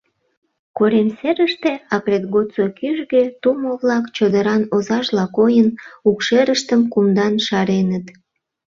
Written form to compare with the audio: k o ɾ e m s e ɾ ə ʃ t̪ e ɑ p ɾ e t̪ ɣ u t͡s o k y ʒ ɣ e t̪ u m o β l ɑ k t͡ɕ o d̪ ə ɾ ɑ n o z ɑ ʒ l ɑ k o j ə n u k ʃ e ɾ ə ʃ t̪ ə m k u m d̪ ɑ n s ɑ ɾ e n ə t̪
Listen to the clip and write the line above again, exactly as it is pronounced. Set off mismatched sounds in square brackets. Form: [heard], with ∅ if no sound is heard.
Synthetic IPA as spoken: k o ɾ e m s e ɾ ə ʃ t̪ e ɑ [k] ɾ e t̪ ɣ [o] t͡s o k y ʒ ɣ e t̪ u m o β l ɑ k t͡ɕ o d̪ ə ɾ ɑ n o z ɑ ʒ l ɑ k o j ə n u k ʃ e ɾ ə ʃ t̪ ə m k u m d̪ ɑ n [ʃ] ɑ ɾ e n ə t̪